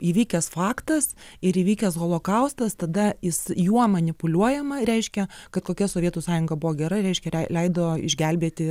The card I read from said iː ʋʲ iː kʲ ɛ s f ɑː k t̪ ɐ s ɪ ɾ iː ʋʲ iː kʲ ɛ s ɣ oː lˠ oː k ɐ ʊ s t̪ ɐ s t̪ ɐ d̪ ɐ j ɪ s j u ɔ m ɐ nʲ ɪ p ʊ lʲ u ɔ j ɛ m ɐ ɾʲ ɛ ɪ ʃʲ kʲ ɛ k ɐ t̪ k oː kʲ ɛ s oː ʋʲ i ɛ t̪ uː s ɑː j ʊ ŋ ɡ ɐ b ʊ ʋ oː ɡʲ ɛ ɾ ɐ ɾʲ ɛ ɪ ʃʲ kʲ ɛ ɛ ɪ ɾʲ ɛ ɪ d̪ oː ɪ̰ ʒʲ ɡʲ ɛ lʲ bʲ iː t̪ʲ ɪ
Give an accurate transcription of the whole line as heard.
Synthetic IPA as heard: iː ʋʲ iː kʲ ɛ s f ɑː k t̪ ɐ s ɪ ɾ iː ʋʲ iː kʲ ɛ s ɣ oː lˠ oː k ɐ ʊ s t̪ ɐ s t̪ ɐ d̪ ɐ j ɪ s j u ɔ m ɐ nʲ ɪ p ʊ lʲ u ɔ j ɛ m ɐ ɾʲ ɛ ɪ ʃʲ kʲ ɛ k ɐ t̪ k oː kʲ ɛ s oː ʋʲ i ɛ t̪ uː s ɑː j ʊ ŋ ɡ ɐ b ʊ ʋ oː ɡʲ ɛ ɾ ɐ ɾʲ ɛ ɪ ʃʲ kʲ ɛ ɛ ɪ lʲ ɛ ɪ d̪ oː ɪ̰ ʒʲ ɡʲ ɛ lʲ bʲ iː t̪ʲ ɪ